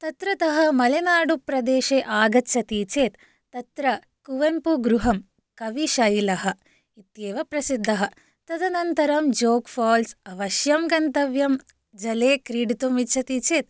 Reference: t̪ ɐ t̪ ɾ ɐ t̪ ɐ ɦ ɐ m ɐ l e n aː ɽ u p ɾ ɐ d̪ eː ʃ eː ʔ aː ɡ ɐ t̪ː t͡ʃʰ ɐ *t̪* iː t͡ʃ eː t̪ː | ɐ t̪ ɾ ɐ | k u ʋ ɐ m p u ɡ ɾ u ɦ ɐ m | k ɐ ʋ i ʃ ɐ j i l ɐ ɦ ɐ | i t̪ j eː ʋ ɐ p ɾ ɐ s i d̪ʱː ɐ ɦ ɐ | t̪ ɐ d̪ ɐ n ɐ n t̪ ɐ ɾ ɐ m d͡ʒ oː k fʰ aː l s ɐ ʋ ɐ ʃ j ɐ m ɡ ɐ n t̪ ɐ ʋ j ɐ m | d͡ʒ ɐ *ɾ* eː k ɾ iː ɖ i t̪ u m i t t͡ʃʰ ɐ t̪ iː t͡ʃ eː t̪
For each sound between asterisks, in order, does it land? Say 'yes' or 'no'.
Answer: yes, no

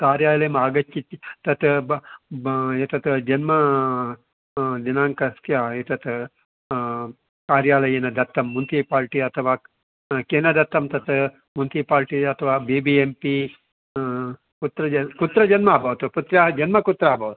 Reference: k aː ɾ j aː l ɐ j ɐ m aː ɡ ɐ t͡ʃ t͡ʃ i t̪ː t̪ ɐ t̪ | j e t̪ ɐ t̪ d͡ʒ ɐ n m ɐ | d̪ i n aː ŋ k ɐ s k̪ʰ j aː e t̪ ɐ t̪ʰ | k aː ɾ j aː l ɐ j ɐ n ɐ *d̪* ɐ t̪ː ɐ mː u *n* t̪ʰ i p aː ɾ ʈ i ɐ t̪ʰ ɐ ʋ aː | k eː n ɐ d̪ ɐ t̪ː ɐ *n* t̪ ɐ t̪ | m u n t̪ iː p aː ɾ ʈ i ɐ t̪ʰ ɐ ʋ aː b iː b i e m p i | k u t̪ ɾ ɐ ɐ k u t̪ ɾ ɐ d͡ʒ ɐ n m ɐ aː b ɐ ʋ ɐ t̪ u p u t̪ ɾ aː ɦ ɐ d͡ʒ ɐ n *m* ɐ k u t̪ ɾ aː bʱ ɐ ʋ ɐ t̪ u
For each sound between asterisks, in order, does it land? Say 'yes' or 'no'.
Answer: yes, yes, no, yes

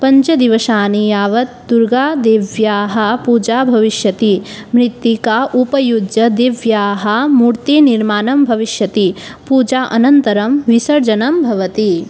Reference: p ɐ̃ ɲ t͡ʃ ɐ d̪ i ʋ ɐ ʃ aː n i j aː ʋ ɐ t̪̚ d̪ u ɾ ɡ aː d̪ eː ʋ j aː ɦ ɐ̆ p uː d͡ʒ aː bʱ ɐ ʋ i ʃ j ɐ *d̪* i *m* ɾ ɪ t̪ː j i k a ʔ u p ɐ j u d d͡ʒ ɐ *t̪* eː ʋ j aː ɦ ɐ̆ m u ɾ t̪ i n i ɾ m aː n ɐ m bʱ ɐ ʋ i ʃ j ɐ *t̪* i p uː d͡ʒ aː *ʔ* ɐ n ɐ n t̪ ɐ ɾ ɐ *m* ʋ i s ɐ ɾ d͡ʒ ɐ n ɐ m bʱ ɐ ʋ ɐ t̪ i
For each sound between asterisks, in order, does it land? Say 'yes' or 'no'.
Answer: no, yes, no, yes, yes, yes

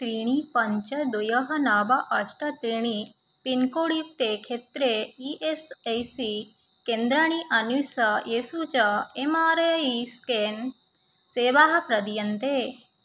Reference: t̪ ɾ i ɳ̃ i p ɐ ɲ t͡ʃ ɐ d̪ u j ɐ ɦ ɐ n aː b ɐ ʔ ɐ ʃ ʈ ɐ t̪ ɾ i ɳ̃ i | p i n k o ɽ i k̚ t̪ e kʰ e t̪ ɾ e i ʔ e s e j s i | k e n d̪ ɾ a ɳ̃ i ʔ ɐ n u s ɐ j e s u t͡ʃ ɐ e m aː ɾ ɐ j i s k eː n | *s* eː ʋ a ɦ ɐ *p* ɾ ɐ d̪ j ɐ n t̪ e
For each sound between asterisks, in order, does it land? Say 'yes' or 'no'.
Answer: yes, yes

